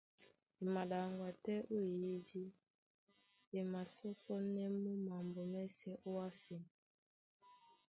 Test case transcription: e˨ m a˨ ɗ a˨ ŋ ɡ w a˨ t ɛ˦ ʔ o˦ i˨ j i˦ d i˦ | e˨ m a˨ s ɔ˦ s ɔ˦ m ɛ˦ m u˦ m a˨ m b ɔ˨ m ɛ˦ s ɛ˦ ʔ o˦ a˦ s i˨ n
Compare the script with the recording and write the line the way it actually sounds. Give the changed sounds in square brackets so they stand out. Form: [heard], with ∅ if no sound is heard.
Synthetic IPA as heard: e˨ m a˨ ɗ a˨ ŋ ɡ w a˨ t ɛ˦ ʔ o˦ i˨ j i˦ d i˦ | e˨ m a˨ s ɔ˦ s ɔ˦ [n] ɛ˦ m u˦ m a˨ m b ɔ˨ m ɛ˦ s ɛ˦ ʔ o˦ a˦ s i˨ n